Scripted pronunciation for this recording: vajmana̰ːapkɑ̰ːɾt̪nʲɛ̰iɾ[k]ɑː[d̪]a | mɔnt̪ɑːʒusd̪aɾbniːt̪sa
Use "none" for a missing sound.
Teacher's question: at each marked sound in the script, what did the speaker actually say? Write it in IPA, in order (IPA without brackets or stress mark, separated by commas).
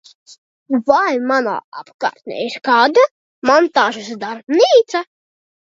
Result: k, d̪